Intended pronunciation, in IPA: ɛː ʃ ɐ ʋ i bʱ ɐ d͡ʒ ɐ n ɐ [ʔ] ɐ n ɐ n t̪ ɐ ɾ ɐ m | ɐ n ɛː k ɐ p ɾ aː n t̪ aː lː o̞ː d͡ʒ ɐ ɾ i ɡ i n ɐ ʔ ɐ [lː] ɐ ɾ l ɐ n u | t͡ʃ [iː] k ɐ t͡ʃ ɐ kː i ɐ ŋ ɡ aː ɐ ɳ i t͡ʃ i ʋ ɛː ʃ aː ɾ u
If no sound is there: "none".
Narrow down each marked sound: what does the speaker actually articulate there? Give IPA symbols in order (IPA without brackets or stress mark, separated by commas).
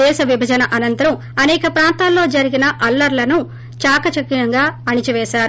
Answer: ʔ, lː, aː